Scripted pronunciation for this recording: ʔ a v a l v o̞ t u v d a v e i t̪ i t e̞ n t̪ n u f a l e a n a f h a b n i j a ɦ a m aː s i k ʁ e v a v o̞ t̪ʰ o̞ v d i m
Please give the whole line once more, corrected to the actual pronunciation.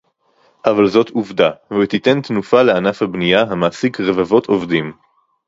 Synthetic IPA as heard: ʔ a v a l z o̞ t u v d a v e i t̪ i t e̞ n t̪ n u f a l e a n a f h a b n i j a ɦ a m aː s i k ʁ e v a v o̞ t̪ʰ o̞ v d i m

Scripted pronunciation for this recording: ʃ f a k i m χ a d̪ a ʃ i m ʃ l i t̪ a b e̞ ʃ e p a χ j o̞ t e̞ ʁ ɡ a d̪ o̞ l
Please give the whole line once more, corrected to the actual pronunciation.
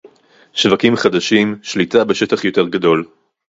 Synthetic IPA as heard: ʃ v a k i m χ a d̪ a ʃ i m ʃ l i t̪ a b e̞ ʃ e t a χ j o̞ t e̞ ʁ ɡ a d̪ o̞ l

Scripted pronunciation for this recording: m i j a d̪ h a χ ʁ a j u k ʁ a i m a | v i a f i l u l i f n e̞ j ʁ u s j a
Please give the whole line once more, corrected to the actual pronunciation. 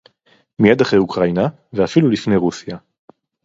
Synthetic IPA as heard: m i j a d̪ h a χ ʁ e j u k ʁ a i n a | v e a f i l u l i f n e̞ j ʁ u s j a

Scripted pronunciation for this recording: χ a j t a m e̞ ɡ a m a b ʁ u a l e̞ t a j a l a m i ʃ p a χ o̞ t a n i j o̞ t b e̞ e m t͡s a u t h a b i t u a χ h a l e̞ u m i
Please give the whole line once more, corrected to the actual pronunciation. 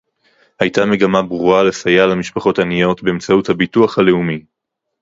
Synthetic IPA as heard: h a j t a m e̞ ɡ a m a b ʁ u a l e̞ s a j a l a m i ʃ p a χ o̞ t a n i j o̞ t b e̞ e m t͡s a u t h a b i t u a χ h a l e̞ u m i

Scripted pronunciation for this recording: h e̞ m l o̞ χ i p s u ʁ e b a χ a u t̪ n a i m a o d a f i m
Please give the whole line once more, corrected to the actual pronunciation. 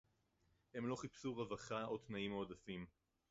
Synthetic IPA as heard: h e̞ m l o̞ χ i p s u ʁ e v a χ a o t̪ n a i m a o d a f i m

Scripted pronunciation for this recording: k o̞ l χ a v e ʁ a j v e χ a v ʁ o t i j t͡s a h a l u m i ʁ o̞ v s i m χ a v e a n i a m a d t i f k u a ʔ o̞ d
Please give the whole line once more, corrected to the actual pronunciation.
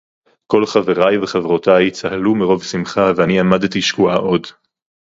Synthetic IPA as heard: k o̞ l χ a v e ʁ a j v e χ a v ʁ o t a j t͡s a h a l u m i ʁ o̞ v s i m χ a v e a n i a m a d t i ʃ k u a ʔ o̞ d

